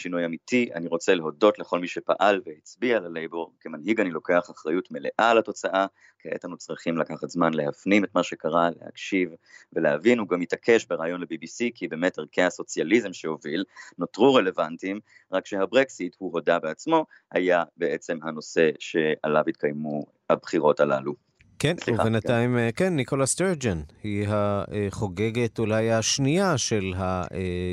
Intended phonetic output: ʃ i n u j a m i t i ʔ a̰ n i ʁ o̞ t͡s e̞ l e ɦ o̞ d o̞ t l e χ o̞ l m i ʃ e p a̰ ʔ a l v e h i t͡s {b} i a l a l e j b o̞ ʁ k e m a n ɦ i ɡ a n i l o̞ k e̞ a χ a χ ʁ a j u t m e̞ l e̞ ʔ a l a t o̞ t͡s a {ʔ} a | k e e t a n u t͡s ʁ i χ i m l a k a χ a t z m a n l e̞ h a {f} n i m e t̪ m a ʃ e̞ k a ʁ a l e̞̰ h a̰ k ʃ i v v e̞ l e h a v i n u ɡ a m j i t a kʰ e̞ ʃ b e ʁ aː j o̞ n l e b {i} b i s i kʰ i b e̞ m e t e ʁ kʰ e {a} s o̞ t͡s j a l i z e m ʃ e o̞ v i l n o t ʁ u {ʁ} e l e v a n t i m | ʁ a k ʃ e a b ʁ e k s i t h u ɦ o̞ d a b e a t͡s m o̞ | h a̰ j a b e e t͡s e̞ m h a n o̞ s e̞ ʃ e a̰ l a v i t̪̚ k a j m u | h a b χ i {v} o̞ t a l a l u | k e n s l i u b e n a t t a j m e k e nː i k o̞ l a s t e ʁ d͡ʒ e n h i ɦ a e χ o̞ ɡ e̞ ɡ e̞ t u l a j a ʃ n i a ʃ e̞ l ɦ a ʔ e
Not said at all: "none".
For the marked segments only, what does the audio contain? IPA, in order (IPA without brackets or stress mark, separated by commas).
b, ʔ, f, i, a, ʁ, ʁ